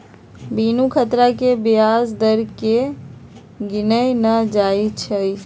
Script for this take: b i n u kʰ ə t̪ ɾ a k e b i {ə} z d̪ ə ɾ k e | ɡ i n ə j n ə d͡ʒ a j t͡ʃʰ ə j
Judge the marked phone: incorrect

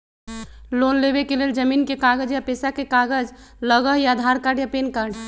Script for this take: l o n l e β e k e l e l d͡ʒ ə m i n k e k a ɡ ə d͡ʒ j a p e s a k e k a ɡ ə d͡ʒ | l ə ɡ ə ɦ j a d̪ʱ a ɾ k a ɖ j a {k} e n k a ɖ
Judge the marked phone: incorrect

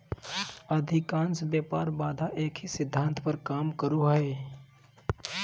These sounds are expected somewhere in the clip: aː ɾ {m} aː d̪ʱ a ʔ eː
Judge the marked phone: incorrect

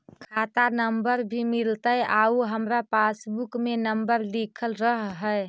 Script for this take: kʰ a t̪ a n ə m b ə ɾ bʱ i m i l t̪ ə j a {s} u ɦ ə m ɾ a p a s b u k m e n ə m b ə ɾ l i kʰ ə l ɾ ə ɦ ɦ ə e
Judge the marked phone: incorrect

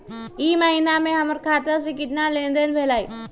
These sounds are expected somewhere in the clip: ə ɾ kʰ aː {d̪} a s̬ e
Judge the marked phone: incorrect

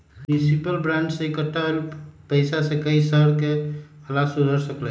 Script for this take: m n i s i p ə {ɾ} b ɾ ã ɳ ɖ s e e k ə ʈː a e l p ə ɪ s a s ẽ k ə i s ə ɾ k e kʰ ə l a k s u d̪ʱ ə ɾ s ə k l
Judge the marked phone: incorrect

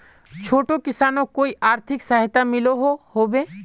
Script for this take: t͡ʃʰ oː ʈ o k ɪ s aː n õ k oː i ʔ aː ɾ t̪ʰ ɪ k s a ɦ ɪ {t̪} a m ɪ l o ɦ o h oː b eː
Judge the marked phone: correct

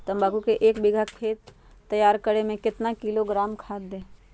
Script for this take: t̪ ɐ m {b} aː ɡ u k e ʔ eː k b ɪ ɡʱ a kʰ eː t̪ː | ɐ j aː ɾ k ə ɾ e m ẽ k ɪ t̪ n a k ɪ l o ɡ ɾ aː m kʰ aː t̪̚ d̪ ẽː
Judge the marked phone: correct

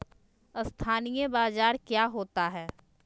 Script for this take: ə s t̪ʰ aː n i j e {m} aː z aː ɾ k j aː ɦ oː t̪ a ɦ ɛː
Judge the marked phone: incorrect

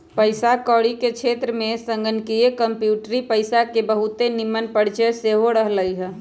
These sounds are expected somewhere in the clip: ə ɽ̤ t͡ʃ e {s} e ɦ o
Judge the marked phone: correct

